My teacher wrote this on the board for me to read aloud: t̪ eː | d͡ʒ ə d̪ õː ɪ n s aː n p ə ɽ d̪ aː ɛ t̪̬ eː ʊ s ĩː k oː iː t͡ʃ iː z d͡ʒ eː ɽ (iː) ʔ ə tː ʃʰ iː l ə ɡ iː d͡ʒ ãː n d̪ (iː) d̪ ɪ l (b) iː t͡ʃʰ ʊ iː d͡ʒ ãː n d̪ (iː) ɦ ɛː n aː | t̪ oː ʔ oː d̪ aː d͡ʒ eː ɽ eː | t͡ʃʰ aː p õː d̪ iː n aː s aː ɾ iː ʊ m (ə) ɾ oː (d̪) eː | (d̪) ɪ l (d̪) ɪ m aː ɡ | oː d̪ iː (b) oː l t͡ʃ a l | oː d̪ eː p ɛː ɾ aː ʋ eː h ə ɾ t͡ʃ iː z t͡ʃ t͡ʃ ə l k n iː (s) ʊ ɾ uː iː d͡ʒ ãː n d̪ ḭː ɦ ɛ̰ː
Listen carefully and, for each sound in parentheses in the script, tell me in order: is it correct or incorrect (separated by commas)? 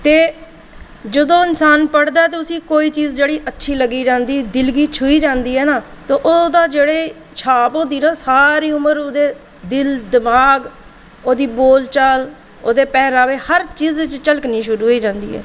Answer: correct, correct, incorrect, correct, correct, correct, correct, correct, correct, incorrect